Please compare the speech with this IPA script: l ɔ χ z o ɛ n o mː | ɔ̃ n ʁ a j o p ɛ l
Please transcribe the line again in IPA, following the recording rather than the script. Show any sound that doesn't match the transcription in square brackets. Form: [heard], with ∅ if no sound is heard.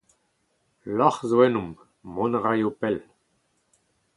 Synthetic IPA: l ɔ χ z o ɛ n [u] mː | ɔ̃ n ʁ a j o p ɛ l